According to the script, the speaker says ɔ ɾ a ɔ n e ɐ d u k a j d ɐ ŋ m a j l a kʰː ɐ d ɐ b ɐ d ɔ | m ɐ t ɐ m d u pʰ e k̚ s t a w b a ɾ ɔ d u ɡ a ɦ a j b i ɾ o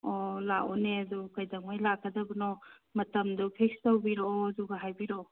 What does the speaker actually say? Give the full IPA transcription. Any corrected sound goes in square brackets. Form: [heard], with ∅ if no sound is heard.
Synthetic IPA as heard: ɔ [l] a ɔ n e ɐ d u k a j d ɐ ŋ m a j l a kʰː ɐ d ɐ b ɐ [n] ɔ | m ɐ t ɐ m d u pʰ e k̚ s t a w b [i] ɾ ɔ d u ɡ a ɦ a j b i ɾ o